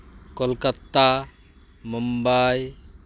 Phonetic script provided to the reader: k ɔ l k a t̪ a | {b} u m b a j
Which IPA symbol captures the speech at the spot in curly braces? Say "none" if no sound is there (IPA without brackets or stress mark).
m